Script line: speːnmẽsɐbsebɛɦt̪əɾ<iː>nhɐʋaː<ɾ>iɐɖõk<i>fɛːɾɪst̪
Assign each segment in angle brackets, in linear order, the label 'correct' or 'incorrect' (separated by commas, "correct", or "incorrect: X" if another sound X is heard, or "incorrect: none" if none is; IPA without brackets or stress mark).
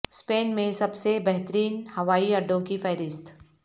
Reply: correct, incorrect: none, correct